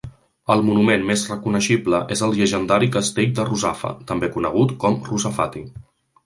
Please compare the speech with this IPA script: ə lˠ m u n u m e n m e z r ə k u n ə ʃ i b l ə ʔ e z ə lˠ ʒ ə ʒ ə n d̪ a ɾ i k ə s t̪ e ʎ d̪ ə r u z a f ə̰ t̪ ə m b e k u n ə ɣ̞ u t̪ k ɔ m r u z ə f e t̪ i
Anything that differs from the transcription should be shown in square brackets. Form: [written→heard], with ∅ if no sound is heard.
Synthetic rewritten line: ə lˠ m u n u m e n m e z r ə k u n ə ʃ i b l ə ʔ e z ə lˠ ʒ ə ʒ ə n d̪ a ɾ i k ə s t̪ e ʎ d̪ ə r u z a f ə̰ t̪ ə m b e k u n ə ɣ̞ u t̪ k ɔ m r u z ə f [e→a] t̪ i